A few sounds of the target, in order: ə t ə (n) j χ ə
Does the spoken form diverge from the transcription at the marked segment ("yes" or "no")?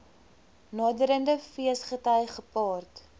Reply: yes